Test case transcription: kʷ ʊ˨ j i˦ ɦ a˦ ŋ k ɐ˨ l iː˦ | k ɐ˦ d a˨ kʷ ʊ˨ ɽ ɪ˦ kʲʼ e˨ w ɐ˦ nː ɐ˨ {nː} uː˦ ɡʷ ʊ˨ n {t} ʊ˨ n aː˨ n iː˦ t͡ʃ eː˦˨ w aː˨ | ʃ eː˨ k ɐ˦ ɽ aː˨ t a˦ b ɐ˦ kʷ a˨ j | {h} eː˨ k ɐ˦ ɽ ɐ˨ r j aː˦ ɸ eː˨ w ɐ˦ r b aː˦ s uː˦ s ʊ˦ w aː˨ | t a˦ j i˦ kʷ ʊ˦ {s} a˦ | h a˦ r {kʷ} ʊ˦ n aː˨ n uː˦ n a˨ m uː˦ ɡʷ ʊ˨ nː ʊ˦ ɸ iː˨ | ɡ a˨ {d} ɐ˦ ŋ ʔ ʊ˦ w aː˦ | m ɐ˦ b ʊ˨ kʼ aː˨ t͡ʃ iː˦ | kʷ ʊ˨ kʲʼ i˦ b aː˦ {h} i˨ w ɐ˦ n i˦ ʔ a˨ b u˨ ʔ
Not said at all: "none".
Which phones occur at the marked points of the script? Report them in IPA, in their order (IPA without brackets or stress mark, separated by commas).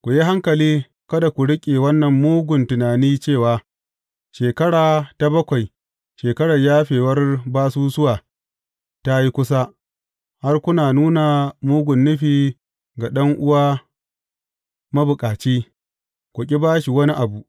mː, t, ʃ, s, kʷ, ɗ, ʃ